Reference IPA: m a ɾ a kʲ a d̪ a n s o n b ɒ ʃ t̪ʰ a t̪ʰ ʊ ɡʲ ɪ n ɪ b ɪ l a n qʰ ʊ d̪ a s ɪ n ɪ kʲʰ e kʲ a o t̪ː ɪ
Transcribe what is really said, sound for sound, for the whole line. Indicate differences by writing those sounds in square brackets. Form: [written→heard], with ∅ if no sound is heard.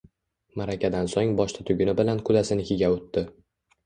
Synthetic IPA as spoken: m a ɾ a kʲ a d̪ a n s o [n→ŋ] b ɒ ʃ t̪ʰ a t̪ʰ ʊ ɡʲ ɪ n ɪ b ɪ l a n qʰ ʊ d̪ a s ɪ n ɪ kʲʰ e [kʲ→ɡʲ] a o t̪ː ɪ